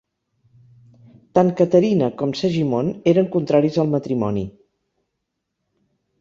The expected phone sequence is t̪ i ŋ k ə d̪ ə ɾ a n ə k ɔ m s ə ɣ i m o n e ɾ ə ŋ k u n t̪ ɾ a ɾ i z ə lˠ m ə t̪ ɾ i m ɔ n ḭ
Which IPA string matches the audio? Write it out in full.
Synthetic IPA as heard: t̪ a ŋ k ə t̪ ə ɾ i n ə k ɔ m s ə ʒ i m o n e ɾ ə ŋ k u n t̪ ɾ a ɾ i z ə lˠ m ə t̪ ɾ i m ɔ n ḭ

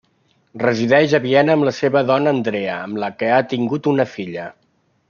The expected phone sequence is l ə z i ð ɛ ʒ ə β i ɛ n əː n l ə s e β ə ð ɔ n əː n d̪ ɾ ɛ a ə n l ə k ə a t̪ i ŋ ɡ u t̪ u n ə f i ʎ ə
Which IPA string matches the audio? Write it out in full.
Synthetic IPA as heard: r ə z i ð ɛ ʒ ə β i ɛ n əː m l ə s e β ə ð ɔ n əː n d̪ ɾ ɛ ə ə m l ə k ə a t̪ i ŋ ɡ u t̪ u n ə f i ʎ ə

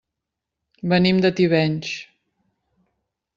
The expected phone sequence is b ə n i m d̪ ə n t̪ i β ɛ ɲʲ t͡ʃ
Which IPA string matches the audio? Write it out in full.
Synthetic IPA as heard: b ə n i m d̪ ə t̪ i β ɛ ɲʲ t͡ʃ

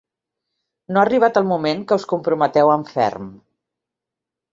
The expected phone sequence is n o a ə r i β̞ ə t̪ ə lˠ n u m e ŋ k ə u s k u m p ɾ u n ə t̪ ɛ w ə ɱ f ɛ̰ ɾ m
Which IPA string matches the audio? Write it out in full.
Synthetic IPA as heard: n o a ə r i β̞ a t̪ ə lˠ m u m e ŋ k ə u s k u m p ɾ u m ə t̪ ɛ w ə ɱ f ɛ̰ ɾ m

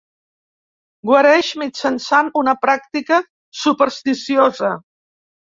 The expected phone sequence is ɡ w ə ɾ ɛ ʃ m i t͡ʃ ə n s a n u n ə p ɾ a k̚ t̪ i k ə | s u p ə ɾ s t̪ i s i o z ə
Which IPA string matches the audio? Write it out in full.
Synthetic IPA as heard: ɡ w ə ɾ ɛ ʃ m i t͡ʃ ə n s a n u n ə p ɾ a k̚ t̪ i k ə | s u p ə ɾ s t̪ i s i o z ə

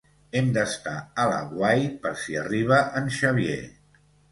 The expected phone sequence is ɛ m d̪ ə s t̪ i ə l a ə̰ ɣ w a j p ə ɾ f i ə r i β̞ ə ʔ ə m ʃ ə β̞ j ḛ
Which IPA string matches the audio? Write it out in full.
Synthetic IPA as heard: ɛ m d̪ ə s t̪ a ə l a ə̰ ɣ w a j p ə ɾ s i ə r i β̞ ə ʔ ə n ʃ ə β̞ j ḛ

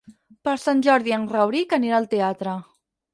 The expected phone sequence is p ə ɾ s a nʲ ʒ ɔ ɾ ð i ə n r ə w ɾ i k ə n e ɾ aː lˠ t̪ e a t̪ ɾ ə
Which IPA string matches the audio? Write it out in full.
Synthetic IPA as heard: p ə ɾ s a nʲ ʒ ɔ ɾ ð i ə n r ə w ɾ i k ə n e ɾ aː lˠ t̪ e a t̪ ɾ ə

